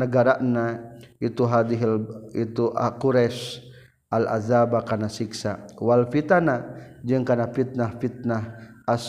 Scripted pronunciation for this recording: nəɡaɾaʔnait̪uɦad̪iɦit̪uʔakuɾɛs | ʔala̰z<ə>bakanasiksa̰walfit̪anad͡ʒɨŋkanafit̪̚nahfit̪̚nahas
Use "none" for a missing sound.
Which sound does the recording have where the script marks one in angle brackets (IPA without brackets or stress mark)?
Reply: a